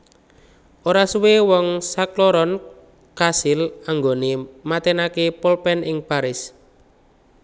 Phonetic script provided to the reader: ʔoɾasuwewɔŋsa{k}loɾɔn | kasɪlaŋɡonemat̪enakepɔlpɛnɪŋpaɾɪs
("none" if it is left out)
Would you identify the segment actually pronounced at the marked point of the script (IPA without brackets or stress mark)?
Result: k